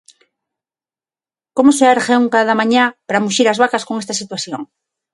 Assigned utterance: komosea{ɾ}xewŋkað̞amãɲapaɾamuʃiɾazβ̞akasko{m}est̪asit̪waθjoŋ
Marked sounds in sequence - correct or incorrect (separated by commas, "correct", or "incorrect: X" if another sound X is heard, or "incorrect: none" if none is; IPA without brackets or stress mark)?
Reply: correct, incorrect: ŋ